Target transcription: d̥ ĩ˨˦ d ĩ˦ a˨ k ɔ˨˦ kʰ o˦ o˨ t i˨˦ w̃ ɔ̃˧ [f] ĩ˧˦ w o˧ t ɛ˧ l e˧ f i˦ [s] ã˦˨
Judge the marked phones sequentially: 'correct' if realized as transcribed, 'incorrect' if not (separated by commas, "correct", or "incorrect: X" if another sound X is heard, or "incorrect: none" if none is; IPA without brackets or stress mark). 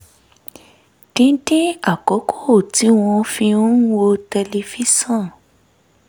correct, correct